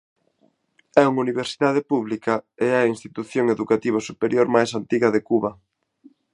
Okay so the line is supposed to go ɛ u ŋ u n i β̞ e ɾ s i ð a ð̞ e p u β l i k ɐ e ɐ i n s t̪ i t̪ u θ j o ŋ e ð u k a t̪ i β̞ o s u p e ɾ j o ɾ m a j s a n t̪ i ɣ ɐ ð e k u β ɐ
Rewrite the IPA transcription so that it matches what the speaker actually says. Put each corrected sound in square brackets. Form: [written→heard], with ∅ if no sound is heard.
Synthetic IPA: ɛ u ŋ u n i β̞ e ɾ s i ð a ð̞ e p u β l i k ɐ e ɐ i n s t̪ i t̪ u θ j o ŋ e ð u k a t̪ i β̞ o s u p e ɾ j o ɾ m a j s a n t̪ i ɣ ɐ ð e k u β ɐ